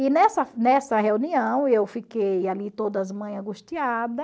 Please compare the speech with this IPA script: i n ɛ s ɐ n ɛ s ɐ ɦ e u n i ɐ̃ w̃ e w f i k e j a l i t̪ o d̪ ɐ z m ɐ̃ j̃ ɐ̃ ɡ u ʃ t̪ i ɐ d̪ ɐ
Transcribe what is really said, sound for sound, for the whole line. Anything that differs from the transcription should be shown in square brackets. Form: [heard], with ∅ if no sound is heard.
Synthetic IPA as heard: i n ɛ s ɐ n ɛ s ɐ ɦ e u n i ɐ̃ w̃ e w f i k e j a l i t̪ o d̪ ɐ z m ɐ̃ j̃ ɐ̃ ɡ u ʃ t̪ i [a] d̪ ɐ